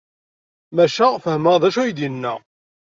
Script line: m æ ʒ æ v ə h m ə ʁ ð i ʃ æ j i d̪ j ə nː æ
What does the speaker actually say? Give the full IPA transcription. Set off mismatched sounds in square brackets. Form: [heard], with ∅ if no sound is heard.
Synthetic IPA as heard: m æ [ʃ] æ [f] ə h m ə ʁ ð [æ] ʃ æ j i d̪ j ə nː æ

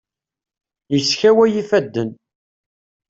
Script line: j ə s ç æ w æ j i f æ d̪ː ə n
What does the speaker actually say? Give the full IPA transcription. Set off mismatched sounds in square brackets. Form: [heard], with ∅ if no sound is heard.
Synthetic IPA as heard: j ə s ç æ w æ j i f æ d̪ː ə n

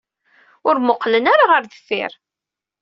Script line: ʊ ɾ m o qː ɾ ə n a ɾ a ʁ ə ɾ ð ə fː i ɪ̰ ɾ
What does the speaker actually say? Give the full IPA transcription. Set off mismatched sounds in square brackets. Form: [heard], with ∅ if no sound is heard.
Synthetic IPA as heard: ʊ ɾ m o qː [l] ə n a ɾ a ʁ ə ɾ ð ə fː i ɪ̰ ɾ

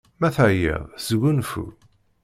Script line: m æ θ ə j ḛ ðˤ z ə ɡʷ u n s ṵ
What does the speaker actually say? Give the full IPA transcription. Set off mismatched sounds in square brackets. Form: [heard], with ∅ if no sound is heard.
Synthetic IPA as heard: m æ θ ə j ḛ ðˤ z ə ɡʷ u n [f] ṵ

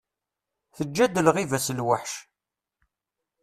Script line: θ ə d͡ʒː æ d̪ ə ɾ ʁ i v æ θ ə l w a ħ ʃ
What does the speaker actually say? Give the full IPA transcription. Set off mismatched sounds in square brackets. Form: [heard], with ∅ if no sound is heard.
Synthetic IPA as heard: θ ə d͡ʒː æ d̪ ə [l] ʁ i v æ [s] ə l w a ħ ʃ

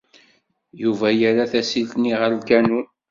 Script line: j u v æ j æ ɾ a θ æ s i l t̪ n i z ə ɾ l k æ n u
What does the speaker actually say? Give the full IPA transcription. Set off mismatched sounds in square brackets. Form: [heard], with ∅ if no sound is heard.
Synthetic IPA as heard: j u v æ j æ ɾ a θ æ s i l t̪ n i [ʁ] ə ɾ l k æ n u

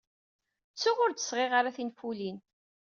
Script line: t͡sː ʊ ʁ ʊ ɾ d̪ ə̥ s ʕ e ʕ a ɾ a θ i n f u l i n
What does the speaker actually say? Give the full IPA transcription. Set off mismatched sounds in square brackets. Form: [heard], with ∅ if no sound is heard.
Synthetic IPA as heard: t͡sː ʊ ʁ ʊ ɾ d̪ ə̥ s [ʁ] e [ʁ] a ɾ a θ i n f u l i n

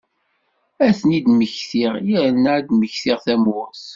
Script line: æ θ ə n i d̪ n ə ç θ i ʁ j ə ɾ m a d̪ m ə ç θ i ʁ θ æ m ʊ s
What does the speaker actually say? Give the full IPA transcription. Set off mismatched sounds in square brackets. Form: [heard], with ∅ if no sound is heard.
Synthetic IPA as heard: æ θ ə n i d̪ [m] ə ç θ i ʁ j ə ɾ [n] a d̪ m ə ç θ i ʁ θ æ m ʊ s

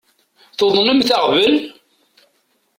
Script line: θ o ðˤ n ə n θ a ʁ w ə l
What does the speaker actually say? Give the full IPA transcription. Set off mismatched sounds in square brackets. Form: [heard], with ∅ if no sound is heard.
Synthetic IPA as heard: θ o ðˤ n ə [m] θ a ʁ [v] ə l

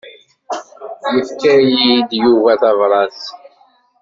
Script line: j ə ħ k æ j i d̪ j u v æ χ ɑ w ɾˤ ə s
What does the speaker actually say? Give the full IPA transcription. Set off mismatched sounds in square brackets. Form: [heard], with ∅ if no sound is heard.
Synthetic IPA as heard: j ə [f] k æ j i d̪ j u v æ [θ] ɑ [v] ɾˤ [ɑ] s

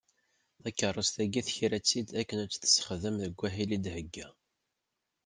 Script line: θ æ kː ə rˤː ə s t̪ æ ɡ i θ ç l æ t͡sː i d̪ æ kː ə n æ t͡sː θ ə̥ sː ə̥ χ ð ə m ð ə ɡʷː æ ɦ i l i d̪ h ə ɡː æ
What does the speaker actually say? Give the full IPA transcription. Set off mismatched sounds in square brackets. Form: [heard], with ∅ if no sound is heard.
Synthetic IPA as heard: θ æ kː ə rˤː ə s t̪ æ ɡ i θ ç [ɾ] æ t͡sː i d̪ æ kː ə n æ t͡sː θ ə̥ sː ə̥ χ ð ə m ð ə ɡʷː æ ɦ i l i d̪ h ə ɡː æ

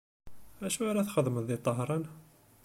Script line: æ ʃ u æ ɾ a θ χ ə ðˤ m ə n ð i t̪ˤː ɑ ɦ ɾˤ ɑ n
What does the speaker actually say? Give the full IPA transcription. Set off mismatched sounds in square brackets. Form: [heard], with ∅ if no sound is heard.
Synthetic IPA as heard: æ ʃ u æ ɾ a θ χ ə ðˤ m ə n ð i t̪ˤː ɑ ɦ ɾˤ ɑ n

